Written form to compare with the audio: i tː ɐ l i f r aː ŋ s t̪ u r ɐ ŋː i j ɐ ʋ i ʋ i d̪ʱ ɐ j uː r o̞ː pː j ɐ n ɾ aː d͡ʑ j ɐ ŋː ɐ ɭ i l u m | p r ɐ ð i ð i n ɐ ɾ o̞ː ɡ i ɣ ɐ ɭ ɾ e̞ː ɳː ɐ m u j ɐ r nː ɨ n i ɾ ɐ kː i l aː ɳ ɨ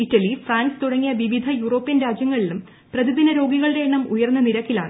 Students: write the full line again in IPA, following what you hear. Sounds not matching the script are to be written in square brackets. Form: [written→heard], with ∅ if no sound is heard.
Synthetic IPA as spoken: i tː ɐ l i f r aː [ŋ→n] s t̪ u [r→ɽ] ɐ ŋː i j ɐ ʋ i ʋ i d̪ʱ ɐ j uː r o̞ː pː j ɐ n ɾ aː d͡ʑ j ɐ ŋː ɐ ɭ i l u m | p r ɐ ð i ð i n ɐ ɾ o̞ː ɡ i ɣ ɐ ɭ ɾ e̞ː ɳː ɐ m u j ɐ r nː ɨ n i ɾ ɐ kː i l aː ɳ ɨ